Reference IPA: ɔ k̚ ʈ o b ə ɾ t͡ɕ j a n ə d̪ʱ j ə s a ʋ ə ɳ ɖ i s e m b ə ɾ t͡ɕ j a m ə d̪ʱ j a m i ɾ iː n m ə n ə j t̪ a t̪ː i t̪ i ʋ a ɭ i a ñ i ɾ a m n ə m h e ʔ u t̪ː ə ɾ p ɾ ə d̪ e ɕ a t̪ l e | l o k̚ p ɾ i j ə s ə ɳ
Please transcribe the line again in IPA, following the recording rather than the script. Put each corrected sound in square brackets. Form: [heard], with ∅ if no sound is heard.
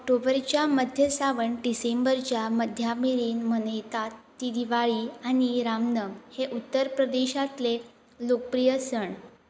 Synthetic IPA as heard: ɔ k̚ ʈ o b ə ɾ t͡ɕ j a [m] ə d̪ʱ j ə s a ʋ ə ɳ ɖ i s e m b ə ɾ t͡ɕ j a m ə d̪ʱ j a m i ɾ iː n m ə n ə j t̪ a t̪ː i [d̪] i ʋ a ɭ i a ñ i ɾ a m n ə m h e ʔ u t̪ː ə ɾ p ɾ ə d̪ e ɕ a t̪ l e | l o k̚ p ɾ i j ə s ə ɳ